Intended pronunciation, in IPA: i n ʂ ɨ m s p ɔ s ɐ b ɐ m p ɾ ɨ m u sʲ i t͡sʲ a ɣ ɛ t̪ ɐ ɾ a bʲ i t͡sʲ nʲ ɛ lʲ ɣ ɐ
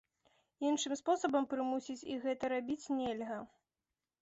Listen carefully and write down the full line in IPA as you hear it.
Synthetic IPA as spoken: i n ʂ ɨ m s p ɔ s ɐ b ɐ m p ɾ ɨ m u sʲ i t͡sʲ i ɣ ɛ t̪ ɐ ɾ a bʲ i t͡sʲ nʲ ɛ lʲ ɣ ɐ